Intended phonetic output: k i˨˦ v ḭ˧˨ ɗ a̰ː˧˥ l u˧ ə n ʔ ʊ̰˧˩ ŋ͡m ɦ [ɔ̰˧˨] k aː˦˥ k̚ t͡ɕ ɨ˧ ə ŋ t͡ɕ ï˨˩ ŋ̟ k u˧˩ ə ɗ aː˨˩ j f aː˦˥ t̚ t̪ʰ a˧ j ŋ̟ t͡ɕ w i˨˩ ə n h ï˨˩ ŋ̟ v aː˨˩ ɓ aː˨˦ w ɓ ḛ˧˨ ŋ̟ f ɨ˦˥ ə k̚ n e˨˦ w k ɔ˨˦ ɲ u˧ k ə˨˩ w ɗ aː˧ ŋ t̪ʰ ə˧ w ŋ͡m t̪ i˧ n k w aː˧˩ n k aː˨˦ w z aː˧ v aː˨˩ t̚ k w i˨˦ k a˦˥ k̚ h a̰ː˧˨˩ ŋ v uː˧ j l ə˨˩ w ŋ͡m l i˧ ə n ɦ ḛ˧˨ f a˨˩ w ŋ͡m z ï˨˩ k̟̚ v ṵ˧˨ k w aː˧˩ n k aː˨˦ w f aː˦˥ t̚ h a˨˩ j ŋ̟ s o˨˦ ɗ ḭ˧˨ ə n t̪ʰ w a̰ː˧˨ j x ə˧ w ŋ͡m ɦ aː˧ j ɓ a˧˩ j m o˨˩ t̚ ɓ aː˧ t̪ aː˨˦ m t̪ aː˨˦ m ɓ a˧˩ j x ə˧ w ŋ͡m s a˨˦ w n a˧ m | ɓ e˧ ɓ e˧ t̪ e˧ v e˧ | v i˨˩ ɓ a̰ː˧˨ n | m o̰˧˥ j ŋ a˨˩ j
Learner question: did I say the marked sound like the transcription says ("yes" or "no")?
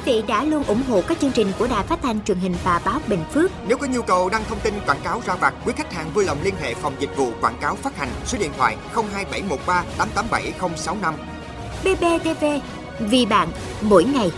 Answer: no